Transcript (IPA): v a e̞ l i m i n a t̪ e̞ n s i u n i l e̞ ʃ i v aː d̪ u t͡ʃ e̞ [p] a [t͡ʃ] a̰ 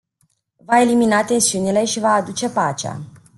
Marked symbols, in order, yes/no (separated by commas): yes, yes